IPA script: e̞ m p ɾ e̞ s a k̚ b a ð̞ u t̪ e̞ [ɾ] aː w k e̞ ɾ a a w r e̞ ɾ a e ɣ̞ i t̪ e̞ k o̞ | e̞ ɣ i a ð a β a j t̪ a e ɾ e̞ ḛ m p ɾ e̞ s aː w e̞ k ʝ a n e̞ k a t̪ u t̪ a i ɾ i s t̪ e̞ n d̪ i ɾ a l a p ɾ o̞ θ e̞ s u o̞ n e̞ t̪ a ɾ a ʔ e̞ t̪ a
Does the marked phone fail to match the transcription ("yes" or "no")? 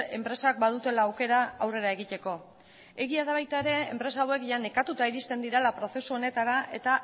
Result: yes